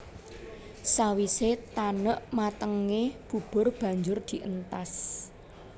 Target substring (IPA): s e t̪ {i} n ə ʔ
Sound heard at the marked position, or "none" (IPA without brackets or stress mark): a